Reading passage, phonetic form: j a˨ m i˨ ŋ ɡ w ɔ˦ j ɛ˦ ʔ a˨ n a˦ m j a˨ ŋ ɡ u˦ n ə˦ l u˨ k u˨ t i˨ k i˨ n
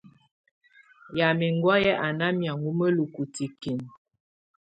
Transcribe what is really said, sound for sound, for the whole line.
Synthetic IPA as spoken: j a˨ m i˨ ŋ ɡ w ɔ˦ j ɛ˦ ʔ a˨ n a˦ m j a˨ ŋ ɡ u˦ m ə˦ l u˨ k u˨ t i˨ k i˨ n